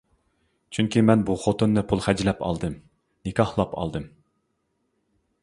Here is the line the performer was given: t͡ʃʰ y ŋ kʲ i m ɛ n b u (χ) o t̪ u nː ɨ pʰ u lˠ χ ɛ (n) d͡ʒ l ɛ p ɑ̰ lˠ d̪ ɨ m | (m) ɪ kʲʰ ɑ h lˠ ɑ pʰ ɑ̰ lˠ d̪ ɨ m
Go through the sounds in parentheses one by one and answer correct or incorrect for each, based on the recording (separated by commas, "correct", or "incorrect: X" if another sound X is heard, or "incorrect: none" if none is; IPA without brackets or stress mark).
correct, incorrect: none, incorrect: n